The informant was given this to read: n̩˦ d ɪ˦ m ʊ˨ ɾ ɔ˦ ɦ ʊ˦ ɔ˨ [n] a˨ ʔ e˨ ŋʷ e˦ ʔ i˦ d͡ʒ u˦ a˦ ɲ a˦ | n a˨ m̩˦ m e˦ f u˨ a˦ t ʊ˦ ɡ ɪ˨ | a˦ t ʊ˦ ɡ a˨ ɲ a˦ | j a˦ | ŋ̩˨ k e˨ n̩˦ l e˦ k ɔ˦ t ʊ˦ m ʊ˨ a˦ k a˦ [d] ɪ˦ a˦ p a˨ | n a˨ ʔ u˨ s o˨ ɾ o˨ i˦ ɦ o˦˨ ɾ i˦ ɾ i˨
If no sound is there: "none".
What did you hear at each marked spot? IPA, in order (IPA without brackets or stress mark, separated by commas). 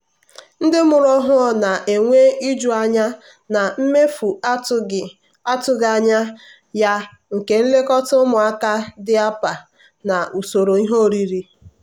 n, d